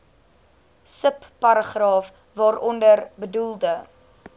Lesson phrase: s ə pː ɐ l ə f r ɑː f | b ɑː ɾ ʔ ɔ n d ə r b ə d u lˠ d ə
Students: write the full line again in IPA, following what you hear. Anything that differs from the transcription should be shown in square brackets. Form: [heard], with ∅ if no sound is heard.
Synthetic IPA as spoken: s ə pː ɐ [ɾ] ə [χ] r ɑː f | [v] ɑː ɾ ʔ ɔ n d ə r b ə d u lˠ d ə